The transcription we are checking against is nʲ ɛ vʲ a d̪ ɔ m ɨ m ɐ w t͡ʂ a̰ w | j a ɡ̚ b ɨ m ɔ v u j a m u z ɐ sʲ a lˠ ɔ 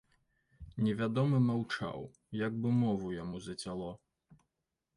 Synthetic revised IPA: nʲ ɛ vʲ a d̪ ɔ m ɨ m a w t͡ʂ a̰ w | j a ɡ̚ b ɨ m ɔ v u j a m u z ɐ t͡sʲ a lˠ ɔ